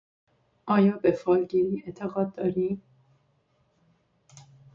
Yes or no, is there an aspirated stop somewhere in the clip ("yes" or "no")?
yes